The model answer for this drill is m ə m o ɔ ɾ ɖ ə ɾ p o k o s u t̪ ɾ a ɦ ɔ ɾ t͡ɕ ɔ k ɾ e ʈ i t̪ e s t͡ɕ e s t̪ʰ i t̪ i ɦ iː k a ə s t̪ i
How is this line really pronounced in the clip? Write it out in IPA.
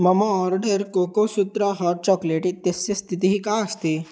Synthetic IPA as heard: m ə m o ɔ ɾ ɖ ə ɾ k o k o s u t̪ ɾ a ɦ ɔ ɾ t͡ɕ ɔ k l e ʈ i t̪ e s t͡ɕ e s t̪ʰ i t̪ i ɦ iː k a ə s t̪ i